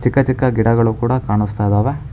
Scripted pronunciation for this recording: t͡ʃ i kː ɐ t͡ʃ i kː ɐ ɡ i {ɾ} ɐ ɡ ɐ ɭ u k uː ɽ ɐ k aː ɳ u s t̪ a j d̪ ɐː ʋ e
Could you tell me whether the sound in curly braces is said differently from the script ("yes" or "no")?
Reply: yes